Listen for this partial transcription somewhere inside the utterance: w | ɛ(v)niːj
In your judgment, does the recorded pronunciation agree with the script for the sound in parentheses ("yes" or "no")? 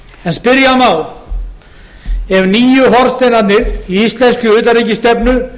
yes